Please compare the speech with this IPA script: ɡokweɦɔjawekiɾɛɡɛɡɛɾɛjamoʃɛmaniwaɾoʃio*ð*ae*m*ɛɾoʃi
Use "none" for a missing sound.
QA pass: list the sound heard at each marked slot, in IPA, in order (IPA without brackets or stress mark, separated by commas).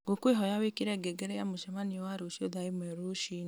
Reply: ð, m